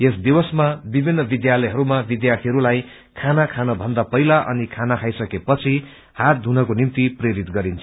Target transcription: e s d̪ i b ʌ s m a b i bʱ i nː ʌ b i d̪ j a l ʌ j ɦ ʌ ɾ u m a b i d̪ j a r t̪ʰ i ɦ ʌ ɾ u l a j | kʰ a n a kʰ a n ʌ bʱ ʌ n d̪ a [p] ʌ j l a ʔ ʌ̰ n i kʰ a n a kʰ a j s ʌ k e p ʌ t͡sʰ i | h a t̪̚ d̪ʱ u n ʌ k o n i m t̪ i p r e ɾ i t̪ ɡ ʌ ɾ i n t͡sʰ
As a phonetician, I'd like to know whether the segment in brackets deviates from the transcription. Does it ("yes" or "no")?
no